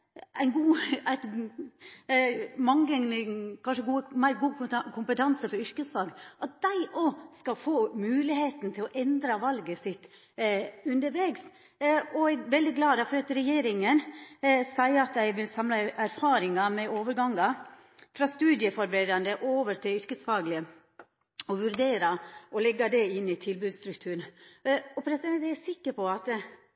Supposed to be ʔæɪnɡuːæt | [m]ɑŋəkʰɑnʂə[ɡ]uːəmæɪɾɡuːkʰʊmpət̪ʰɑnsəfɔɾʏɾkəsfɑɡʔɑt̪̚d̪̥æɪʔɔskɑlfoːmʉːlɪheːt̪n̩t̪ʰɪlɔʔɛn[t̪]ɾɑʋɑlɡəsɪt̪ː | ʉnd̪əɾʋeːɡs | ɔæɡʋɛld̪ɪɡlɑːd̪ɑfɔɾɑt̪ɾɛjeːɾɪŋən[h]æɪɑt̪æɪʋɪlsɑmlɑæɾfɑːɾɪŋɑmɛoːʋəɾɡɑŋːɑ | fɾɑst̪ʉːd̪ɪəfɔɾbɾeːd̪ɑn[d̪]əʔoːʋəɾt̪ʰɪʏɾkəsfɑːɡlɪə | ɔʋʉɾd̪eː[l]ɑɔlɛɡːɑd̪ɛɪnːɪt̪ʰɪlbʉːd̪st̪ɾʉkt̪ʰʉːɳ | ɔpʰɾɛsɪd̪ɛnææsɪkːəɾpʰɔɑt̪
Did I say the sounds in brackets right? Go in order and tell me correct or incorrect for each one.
correct, correct, incorrect: d̪, incorrect: s, correct, incorrect: ɾ

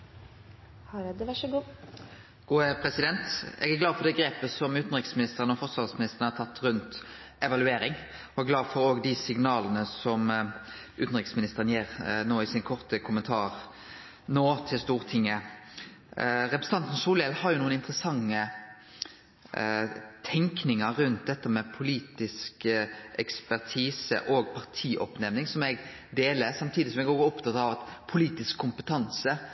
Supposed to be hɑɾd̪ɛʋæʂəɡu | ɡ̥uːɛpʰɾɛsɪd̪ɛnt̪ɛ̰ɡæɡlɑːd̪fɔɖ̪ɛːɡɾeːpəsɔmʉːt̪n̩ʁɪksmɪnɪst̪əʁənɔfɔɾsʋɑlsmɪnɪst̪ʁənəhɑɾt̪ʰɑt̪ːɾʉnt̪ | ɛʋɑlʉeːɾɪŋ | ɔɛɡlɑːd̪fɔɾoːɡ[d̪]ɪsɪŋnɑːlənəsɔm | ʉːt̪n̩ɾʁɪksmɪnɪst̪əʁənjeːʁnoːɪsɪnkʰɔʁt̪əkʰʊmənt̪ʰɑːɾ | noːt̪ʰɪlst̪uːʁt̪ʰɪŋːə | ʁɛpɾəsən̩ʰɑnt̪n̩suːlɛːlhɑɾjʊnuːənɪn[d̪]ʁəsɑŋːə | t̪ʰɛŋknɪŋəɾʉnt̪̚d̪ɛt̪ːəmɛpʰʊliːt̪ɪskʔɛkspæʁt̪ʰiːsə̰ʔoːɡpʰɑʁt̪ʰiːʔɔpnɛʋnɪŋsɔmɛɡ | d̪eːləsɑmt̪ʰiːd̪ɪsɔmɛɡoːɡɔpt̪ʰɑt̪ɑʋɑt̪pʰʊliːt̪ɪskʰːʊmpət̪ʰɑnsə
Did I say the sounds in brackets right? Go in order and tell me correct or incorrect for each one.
correct, incorrect: t̪

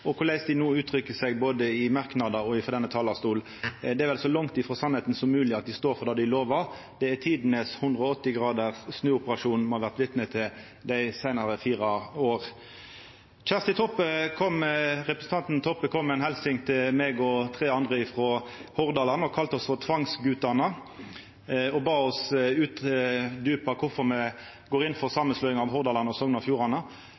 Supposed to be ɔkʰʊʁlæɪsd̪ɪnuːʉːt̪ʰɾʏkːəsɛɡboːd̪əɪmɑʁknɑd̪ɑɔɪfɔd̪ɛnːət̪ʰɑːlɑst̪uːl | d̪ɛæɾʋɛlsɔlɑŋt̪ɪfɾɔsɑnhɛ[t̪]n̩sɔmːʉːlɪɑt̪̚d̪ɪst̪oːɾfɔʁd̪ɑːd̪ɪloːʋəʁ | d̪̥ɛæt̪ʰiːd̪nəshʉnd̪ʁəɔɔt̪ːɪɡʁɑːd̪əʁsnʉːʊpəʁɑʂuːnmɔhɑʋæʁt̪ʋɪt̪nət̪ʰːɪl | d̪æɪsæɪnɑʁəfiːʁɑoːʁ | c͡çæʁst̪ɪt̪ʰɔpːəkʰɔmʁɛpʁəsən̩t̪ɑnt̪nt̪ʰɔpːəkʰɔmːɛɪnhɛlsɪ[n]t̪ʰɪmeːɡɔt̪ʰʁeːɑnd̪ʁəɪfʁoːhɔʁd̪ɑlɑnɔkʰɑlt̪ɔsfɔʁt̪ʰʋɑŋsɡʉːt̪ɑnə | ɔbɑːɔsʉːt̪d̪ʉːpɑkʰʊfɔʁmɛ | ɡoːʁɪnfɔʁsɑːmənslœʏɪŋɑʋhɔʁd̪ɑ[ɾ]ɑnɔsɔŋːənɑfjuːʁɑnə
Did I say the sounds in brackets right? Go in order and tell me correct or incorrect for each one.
correct, incorrect: ŋ, incorrect: l

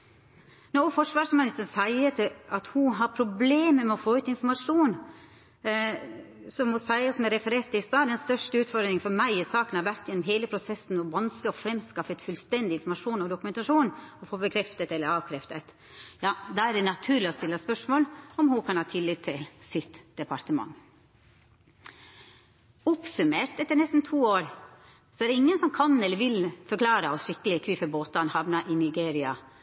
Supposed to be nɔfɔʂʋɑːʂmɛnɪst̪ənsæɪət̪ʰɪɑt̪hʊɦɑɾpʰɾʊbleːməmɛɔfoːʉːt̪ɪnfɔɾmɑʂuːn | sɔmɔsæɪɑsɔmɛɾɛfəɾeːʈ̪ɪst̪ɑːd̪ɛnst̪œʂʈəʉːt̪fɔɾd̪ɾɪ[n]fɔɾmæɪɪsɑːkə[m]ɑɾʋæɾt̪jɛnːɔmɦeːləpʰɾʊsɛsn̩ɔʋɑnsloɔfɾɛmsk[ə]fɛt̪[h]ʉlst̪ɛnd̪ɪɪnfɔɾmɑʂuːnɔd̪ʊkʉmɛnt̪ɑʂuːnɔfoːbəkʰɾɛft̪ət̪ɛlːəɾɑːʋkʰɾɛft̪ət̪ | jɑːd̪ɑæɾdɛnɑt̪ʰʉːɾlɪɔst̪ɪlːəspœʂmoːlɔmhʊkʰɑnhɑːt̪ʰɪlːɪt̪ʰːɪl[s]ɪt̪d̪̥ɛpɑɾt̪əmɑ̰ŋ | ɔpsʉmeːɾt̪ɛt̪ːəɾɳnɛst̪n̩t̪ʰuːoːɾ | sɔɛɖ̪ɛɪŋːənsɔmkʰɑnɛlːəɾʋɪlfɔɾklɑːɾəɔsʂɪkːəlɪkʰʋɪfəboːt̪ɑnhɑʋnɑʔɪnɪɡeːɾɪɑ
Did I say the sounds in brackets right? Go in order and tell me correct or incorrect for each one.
incorrect: ŋ, incorrect: n, incorrect: ɑ, incorrect: f, correct

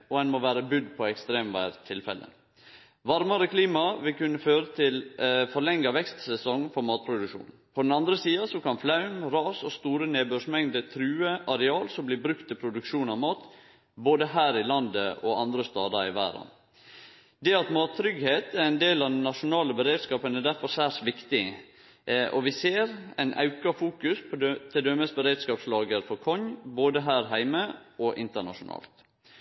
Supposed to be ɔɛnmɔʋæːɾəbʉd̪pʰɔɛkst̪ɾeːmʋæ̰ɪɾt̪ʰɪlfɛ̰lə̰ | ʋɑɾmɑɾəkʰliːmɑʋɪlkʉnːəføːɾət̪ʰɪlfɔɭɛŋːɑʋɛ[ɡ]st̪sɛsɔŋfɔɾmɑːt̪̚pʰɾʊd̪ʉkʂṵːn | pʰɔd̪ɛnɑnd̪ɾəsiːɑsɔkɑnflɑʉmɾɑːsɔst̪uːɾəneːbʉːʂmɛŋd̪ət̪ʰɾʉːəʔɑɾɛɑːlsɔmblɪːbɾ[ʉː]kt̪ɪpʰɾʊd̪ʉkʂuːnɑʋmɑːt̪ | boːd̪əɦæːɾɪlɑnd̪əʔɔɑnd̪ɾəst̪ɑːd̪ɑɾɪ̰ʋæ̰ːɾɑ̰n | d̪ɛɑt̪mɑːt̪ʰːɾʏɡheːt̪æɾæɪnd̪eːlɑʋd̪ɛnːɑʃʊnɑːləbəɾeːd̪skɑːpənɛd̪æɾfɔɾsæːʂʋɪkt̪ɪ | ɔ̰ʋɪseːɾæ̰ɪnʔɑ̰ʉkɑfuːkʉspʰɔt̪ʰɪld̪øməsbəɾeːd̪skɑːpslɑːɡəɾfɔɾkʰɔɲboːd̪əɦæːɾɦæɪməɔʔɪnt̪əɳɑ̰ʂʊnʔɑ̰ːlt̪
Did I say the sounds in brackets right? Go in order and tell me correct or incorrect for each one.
incorrect: k, incorrect: ʉ

